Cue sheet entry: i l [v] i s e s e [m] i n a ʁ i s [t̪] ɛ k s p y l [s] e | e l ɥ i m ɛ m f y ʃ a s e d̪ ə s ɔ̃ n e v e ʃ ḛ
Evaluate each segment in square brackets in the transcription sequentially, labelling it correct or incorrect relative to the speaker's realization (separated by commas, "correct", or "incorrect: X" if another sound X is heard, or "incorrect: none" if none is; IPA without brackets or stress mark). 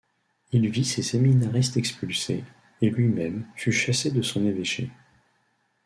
correct, correct, correct, correct